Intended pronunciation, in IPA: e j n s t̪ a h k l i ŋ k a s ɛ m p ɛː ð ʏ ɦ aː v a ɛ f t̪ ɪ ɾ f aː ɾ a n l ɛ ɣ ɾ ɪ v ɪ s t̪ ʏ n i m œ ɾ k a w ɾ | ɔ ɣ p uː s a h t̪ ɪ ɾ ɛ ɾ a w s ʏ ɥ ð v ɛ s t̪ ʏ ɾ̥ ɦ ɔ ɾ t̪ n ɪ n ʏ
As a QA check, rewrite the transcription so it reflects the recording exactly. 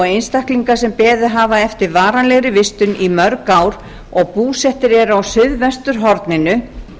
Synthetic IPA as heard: e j n s t̪ a h k l i ŋ k a s ɛ m p ɛː ð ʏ ɦ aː v a ɛ f t̪ ɪ ɾ v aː ɾ a n l ɛ ɣ ɾ ɪ v ɪ s t̪ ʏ n i m œ ɾ k a w ɾ | ɔ ɣ p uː s ɛ h t̪ ɪ ɾ ɛ ɾ a w s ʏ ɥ ð v ɛ s t̪ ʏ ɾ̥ ɦ ɔ ɾ t̪ n ɪ n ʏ